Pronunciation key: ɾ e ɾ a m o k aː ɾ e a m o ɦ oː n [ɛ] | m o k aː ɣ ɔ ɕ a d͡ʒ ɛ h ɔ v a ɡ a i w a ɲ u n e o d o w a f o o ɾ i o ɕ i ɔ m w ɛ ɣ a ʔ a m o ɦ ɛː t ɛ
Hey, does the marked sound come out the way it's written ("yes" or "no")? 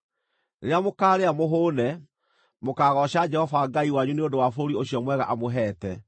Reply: yes